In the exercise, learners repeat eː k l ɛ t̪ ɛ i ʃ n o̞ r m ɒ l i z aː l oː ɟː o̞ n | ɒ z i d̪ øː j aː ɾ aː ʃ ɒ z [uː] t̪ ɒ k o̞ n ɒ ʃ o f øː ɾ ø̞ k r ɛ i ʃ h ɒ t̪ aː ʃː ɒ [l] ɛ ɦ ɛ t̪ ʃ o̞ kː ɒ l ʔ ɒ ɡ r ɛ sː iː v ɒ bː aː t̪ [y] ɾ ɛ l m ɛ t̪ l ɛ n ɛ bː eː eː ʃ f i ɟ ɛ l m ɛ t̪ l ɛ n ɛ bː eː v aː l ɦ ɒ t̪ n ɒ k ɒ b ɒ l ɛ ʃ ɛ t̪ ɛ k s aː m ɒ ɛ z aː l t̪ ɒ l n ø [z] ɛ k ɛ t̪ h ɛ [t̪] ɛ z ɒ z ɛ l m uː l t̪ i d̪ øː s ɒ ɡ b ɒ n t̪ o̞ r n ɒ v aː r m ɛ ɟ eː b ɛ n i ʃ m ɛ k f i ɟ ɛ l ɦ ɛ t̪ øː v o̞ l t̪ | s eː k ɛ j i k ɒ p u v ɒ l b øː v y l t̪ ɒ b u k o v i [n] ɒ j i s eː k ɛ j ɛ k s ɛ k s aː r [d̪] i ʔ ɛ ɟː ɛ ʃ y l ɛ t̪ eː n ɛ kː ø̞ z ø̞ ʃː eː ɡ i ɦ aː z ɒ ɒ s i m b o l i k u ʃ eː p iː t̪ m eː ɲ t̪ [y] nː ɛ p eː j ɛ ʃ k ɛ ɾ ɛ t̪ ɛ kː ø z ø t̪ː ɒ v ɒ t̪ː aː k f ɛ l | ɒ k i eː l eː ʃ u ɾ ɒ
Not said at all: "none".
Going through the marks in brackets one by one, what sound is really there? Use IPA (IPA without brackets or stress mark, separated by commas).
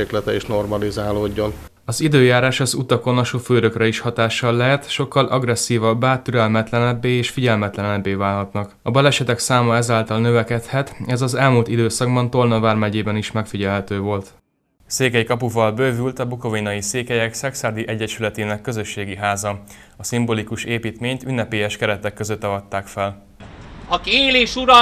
u, lː, y, v, t̪, n, d̪, y